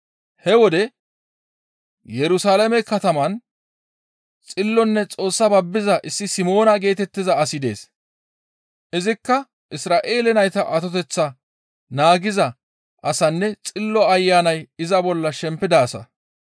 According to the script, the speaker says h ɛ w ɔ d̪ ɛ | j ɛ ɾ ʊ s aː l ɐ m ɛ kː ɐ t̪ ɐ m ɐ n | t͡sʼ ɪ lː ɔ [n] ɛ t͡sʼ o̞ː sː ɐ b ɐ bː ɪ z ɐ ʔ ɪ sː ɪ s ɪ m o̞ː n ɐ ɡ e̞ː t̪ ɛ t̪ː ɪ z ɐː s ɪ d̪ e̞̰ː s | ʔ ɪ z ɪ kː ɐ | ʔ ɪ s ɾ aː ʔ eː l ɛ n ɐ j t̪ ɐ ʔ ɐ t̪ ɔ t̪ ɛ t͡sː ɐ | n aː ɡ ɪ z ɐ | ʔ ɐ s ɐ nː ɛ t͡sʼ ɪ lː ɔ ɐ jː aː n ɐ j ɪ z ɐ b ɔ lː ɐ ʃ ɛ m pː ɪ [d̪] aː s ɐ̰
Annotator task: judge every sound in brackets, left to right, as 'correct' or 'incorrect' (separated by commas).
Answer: incorrect, correct